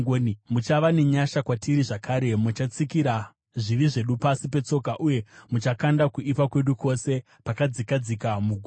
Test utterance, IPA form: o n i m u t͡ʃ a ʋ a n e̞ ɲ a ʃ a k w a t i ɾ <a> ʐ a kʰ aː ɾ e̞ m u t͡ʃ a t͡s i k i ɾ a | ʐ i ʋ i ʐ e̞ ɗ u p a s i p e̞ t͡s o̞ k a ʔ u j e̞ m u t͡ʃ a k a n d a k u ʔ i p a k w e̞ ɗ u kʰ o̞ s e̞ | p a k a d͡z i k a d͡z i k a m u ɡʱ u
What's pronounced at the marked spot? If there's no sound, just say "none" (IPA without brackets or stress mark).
i